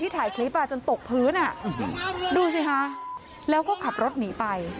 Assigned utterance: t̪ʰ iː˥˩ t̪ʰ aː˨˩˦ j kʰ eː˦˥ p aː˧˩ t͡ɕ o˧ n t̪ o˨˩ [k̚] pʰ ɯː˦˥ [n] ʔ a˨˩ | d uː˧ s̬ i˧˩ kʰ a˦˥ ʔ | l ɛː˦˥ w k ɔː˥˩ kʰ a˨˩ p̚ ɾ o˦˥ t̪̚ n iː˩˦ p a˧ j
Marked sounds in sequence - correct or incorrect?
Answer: correct, correct

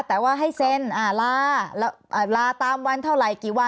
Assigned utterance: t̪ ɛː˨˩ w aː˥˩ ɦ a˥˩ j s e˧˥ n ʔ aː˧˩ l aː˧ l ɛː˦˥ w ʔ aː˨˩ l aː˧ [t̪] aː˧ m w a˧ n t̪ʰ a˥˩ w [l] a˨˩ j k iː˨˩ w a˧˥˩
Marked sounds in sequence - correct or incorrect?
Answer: correct, incorrect: ɾ

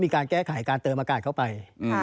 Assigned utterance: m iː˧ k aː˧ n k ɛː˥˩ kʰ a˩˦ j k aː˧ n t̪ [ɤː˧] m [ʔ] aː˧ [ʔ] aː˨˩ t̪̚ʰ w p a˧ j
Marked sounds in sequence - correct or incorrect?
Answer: correct, correct, incorrect: k

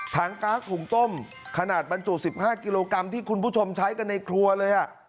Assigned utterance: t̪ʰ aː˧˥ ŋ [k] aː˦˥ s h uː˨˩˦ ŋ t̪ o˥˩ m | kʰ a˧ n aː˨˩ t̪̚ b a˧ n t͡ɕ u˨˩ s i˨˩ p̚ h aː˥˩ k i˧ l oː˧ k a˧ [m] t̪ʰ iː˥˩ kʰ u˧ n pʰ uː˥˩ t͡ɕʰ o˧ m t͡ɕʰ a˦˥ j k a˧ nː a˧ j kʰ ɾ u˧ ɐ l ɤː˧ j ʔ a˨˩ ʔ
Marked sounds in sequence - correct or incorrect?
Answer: correct, correct

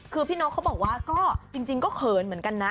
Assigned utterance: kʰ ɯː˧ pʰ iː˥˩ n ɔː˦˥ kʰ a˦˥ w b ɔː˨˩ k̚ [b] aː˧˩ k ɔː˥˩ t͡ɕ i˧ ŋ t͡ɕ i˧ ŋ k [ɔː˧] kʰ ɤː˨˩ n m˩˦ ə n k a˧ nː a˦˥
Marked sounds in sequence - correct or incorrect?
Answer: incorrect: w, incorrect: ɔː˥˩

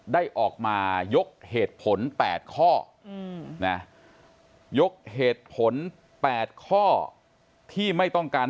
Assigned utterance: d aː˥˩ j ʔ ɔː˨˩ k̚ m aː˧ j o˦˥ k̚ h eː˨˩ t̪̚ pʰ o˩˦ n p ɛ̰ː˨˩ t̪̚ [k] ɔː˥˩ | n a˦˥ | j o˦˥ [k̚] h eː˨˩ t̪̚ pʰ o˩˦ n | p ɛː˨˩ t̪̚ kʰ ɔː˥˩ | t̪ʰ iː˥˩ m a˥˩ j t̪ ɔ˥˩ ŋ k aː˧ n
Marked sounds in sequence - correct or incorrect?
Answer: incorrect: kʰ, correct

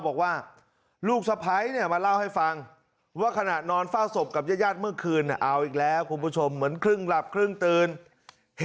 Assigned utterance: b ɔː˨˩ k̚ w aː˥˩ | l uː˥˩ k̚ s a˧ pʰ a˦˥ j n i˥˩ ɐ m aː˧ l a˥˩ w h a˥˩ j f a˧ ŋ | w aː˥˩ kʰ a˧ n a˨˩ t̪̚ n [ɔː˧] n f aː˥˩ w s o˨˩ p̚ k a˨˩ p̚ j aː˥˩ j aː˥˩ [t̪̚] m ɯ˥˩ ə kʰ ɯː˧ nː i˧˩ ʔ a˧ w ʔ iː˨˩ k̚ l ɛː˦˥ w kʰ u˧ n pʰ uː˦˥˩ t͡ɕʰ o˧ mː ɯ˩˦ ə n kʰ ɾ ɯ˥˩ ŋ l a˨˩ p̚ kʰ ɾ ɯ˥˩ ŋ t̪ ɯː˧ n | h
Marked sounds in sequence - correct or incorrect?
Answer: correct, correct

